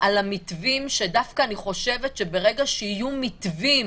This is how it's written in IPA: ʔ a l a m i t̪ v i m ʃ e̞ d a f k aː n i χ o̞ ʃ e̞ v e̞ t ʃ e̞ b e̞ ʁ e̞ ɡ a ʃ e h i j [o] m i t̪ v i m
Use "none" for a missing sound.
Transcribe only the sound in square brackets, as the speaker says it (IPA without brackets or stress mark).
u